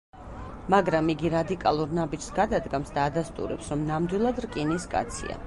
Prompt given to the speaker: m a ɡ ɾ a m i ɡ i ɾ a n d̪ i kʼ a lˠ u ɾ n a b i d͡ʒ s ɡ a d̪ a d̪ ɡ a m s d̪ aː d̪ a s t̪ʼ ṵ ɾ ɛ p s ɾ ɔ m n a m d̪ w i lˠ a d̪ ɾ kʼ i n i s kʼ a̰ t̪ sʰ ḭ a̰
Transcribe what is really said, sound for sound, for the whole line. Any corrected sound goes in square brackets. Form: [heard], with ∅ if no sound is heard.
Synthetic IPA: m a ɡ ɾ a m i ɡ i ɾ a [∅] d̪ i kʼ a lˠ u ɾ n a b i d͡ʒ s ɡ a d̪ a d̪ ɡ a m s d̪ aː d̪ a s t̪ʼ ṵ ɾ ɛ p s ɾ ɔ m n a m d̪ w i lˠ a d̪ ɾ kʼ i n i s kʼ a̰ t̪ sʰ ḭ a̰